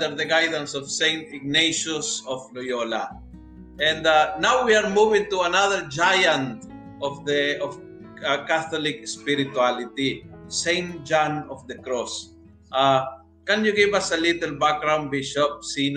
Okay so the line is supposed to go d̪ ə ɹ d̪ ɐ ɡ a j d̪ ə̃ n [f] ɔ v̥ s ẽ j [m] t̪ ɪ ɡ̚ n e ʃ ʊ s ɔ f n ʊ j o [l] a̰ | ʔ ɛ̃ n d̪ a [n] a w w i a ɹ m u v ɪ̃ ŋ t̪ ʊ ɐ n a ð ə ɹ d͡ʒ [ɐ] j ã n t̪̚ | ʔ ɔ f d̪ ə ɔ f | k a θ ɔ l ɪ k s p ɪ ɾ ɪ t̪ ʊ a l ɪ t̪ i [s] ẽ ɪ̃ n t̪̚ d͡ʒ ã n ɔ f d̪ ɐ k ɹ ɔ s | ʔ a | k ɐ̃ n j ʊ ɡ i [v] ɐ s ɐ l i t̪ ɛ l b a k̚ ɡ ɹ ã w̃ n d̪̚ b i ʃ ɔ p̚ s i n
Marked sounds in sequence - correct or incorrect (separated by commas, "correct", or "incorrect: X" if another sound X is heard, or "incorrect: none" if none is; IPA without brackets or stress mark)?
incorrect: s, incorrect: n, correct, correct, incorrect: a, correct, correct